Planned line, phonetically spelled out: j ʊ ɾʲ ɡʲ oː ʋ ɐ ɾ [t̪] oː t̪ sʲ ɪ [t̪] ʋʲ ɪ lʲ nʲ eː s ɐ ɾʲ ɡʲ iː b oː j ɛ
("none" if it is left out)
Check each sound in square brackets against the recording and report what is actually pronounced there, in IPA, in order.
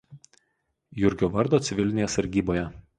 d̪, none

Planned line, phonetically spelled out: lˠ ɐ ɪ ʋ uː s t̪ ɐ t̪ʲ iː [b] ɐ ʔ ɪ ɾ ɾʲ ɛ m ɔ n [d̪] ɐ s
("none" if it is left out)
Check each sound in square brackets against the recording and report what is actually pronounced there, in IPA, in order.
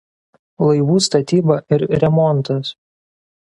b, t̪

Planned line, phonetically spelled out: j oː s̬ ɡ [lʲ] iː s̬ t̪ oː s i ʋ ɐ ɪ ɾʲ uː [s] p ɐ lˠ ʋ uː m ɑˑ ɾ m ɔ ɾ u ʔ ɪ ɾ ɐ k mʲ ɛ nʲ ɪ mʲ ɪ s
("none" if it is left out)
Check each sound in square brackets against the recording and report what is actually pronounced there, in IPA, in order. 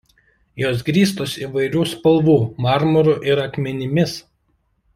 ɾʲ, s

